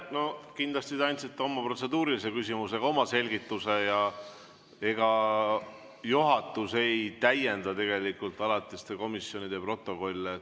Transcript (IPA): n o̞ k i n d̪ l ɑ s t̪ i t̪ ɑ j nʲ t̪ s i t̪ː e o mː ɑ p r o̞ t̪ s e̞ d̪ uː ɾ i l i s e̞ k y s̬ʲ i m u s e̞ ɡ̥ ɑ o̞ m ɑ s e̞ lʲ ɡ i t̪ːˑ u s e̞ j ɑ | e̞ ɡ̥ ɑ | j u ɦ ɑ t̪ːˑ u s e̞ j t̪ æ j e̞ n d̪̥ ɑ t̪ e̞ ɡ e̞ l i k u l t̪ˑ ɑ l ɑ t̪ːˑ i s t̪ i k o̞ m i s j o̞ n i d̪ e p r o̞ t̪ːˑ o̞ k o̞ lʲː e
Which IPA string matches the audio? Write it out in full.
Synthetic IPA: n o̞ k i n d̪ l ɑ s t̪ i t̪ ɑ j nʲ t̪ s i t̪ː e o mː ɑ p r o̞ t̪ s e̞ d̪ uː ɾ i l i s e̞ k y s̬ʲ i m u s e̞ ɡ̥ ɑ o̞ m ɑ s e̞ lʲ ɡ i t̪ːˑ u s e̞ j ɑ | e̞ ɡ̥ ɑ | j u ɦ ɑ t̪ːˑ u s e̞ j t̪ æ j e̞ n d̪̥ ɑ t̪ e̞ ɡ e̞ l i k u l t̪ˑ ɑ l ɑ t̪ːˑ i s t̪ e k o̞ m i s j o̞ n i d̪ e p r o̞ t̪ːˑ o̞ k o̞ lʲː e